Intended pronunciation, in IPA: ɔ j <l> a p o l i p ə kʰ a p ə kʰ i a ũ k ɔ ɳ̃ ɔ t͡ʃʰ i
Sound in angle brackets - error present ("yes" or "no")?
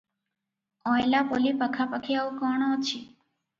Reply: no